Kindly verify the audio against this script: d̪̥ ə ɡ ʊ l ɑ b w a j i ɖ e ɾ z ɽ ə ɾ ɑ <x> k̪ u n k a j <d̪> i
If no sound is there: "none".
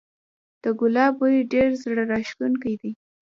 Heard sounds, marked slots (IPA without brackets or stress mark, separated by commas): ʃ, d̪